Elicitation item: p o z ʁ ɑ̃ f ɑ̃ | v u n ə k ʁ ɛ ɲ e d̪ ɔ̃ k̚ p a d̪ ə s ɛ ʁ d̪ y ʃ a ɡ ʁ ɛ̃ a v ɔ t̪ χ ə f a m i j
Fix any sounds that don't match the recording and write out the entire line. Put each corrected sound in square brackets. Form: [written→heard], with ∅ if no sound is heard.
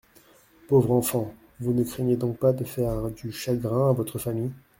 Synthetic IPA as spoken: p o [z→v] ʁ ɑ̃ f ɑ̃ | v u n ə k [ʁ→χ] ɛ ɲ e d̪ ɔ̃ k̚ p a d̪ ə [s→f] ɛ ʁ d̪ y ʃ a ɡ ʁ ɛ̃ a v ɔ t̪ χ ə f a m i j